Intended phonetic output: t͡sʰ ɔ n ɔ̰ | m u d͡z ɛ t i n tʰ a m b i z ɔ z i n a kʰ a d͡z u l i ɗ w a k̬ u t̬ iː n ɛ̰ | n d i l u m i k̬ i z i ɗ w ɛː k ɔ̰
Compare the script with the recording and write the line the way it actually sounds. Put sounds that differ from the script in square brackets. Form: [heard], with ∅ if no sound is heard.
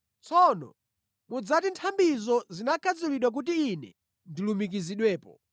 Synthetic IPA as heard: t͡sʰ ɔ n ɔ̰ | m u d͡z [a] t i n tʰ a m b i z ɔ z i n a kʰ a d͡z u l i ɗ w a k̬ u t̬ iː n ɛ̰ | n d i l u m i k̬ i z i ɗ w ɛː [p] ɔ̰